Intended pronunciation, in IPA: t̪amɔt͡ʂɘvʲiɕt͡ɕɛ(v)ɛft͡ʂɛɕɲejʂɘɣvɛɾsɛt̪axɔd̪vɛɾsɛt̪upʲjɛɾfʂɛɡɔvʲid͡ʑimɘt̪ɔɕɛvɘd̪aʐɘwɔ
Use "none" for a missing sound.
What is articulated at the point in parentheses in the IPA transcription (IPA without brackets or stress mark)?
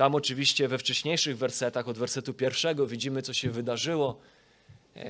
v